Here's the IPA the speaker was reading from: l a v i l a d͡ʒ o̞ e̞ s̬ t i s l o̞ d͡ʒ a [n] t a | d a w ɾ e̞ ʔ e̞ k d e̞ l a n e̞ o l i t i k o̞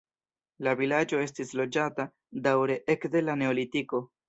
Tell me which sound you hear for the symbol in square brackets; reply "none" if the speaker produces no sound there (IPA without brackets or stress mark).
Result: none